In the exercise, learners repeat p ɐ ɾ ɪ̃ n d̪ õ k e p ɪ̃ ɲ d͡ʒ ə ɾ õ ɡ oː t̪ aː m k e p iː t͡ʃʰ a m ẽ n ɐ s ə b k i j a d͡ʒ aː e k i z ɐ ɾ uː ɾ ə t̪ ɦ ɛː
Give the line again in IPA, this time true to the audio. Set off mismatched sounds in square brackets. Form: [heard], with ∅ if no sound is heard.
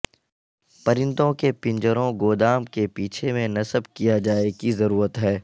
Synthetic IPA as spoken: p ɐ ɾ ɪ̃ n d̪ õ k e p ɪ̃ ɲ d͡ʒ ə ɾ õ ɡ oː [d̪] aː m k e p iː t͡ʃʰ [e] m ẽ n ɐ s ə b k i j a d͡ʒ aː e k i z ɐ ɾ uː ɾ ə t̪ ɦ ɛː